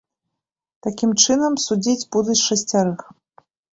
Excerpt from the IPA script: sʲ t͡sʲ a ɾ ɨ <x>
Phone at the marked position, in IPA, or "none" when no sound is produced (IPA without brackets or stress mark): x